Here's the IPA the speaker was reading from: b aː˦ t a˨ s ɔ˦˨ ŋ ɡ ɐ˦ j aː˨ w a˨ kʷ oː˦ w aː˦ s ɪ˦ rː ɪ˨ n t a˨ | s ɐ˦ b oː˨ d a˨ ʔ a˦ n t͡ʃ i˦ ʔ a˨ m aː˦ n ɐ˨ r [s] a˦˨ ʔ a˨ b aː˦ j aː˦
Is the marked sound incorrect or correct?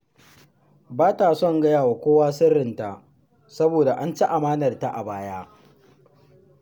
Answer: incorrect